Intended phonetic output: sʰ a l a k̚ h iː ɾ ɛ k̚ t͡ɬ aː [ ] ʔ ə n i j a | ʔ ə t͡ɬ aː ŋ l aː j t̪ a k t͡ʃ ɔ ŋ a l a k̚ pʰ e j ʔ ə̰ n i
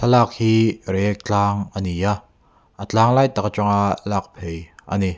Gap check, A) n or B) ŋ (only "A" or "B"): B